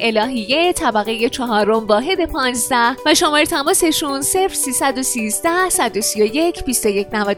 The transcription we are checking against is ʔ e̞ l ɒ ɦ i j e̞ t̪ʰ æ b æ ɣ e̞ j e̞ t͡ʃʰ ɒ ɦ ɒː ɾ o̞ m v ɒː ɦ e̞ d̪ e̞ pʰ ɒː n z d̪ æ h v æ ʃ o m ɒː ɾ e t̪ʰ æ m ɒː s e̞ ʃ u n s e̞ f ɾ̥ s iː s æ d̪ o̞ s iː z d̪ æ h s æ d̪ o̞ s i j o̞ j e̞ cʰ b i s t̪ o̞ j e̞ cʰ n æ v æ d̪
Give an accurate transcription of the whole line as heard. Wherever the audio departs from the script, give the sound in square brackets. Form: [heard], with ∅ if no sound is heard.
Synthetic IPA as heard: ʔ e̞ l [ɒː] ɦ i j e̞ t̪ʰ æ b æ ɣ e̞ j e̞ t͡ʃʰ ɒ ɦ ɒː ɾ o̞ m v ɒː ɦ e̞ d̪ e̞ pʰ ɒː n z d̪ æ h v æ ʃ o m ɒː ɾ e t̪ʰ æ m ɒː s e̞ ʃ u n s e̞ f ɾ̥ s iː s æ d̪ o̞ s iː z d̪ æ h s æ d̪ o̞ s i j o̞ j e̞ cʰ b i s t̪ o̞ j e̞ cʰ n æ v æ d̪